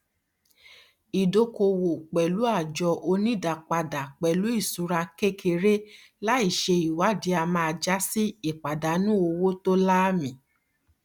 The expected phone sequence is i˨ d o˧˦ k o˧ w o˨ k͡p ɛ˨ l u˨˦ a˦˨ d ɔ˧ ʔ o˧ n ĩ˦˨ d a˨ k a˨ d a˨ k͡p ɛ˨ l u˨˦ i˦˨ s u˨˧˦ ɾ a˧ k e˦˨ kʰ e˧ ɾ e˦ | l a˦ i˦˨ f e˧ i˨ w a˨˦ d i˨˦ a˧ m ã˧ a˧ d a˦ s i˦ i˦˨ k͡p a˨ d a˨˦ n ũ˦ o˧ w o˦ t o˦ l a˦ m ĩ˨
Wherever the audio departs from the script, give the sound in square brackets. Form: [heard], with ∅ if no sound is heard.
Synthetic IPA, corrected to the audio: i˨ d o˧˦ k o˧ w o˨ k͡p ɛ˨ l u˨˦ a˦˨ [d͡ʒ] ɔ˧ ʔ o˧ n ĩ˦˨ d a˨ [k͡p] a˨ d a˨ k͡p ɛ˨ l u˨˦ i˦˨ s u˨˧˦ ɾ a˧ k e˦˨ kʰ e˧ ɾ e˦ | l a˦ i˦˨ [ʃ] e˧ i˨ w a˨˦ d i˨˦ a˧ m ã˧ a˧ [d͡ʒ] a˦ s i˦ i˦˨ k͡p a˨ d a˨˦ n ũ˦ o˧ w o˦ t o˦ l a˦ m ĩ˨